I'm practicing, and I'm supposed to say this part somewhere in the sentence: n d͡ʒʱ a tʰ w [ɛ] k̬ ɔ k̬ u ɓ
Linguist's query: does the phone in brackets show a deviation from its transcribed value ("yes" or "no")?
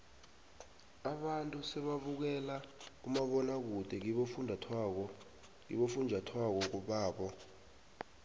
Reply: yes